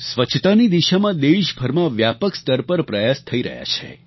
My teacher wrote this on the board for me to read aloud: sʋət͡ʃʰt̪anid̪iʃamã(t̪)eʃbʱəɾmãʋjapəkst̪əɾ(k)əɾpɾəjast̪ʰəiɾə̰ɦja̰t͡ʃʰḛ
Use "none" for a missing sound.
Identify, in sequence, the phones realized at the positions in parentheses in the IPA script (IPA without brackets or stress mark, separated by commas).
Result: d̪, p